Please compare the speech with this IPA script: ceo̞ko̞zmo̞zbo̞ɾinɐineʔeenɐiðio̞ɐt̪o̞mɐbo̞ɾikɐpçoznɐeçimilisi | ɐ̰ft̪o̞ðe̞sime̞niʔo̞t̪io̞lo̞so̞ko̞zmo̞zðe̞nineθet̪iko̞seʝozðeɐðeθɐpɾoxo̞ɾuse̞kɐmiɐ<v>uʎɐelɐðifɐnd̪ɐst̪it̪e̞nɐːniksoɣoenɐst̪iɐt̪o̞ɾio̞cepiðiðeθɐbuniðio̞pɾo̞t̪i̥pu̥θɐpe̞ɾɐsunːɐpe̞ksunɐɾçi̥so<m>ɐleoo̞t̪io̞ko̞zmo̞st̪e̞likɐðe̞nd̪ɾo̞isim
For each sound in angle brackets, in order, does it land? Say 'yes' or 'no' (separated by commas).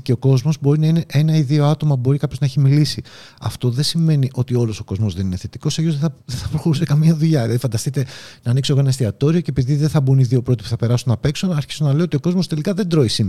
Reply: no, no